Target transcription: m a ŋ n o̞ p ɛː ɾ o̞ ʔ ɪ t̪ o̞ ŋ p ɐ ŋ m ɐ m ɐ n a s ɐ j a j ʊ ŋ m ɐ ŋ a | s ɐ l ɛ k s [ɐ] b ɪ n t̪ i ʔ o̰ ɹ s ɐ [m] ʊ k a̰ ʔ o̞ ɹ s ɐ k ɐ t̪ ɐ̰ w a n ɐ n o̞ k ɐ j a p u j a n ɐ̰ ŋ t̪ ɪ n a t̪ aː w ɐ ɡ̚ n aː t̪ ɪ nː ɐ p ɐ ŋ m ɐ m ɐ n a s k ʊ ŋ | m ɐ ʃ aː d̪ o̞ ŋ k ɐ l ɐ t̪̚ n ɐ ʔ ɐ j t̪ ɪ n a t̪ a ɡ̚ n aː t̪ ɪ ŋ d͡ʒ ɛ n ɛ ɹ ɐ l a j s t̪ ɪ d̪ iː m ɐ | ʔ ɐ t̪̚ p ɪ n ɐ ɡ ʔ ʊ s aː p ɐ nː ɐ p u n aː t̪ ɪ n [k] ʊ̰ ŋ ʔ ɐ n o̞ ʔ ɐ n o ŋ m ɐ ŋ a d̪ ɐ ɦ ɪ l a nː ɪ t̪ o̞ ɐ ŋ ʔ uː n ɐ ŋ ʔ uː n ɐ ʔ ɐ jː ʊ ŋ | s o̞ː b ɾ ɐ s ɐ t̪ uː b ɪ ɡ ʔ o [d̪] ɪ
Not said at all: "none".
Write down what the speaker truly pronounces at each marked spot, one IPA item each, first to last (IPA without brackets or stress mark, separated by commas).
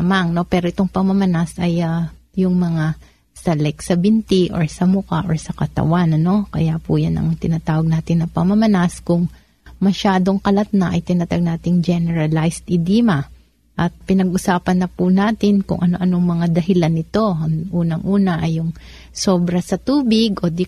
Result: ɐ, m, k, d̪